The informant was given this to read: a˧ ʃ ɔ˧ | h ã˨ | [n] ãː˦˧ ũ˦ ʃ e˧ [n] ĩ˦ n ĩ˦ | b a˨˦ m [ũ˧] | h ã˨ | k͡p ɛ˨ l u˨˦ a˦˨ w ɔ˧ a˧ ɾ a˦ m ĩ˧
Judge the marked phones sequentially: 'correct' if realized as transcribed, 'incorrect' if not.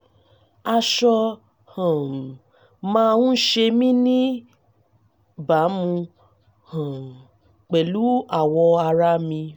incorrect: m, incorrect: m, correct

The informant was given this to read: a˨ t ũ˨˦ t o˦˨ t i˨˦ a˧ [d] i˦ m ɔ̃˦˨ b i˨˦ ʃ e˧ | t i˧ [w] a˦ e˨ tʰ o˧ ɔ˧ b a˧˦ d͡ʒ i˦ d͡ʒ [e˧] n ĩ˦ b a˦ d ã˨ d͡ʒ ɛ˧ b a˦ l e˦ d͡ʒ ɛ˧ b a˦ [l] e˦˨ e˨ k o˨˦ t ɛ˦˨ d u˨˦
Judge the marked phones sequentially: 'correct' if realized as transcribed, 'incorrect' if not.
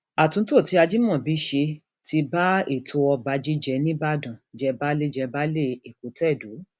incorrect: d͡ʒ, incorrect: b, incorrect: ɛ˧, correct

